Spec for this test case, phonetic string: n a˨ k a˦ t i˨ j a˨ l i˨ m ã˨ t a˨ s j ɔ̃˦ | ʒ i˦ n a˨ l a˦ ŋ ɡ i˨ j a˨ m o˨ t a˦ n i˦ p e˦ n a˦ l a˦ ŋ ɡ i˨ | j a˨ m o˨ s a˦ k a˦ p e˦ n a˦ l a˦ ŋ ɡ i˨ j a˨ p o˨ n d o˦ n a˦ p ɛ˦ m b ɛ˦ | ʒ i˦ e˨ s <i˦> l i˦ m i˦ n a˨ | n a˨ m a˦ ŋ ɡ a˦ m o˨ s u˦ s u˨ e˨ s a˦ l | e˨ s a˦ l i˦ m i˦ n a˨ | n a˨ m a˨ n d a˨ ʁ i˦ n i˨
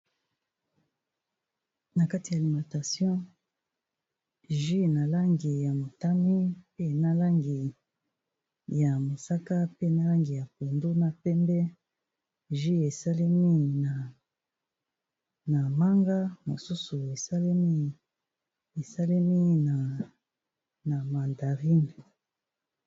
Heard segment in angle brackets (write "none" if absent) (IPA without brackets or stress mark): a˦